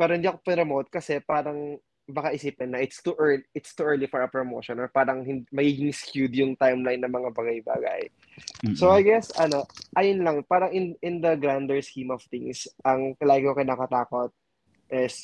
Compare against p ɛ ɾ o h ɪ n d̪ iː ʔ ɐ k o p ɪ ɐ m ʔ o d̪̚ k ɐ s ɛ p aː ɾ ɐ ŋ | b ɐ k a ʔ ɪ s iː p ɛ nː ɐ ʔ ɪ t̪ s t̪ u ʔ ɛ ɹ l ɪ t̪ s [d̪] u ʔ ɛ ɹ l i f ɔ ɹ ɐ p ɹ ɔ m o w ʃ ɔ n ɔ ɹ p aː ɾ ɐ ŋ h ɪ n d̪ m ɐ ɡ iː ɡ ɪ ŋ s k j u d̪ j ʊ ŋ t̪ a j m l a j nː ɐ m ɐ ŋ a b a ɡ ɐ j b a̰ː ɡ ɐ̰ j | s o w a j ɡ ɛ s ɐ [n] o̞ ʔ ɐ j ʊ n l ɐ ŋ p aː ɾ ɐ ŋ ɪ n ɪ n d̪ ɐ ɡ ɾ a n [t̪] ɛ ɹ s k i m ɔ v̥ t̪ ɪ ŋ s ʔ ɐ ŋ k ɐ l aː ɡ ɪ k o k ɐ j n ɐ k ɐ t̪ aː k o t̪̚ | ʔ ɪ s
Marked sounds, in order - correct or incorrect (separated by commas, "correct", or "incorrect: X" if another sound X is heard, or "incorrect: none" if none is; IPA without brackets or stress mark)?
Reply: incorrect: t̪, correct, incorrect: d̪